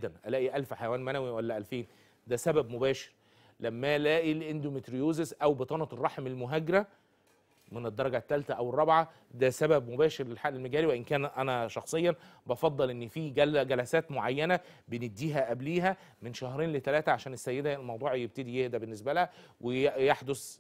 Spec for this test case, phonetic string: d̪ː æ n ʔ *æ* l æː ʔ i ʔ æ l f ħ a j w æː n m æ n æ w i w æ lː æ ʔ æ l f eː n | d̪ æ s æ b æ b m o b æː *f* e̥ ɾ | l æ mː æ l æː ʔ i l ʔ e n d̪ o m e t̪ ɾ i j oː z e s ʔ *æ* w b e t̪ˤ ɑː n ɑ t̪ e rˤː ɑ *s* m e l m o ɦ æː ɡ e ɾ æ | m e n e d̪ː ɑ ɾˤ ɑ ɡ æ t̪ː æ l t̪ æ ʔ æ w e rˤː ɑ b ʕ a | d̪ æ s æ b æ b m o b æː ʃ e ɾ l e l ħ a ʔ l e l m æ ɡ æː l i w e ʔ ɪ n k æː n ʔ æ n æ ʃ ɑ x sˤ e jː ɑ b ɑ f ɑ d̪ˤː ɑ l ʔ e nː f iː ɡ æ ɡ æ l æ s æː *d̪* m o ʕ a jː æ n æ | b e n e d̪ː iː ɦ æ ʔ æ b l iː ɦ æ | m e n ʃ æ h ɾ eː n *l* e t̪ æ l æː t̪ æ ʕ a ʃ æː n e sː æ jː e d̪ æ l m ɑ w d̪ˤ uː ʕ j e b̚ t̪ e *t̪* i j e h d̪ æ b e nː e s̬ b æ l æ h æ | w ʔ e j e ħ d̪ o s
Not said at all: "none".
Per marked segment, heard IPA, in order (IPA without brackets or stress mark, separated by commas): æ, ʃ, æ, ħ, t̪, l, d̪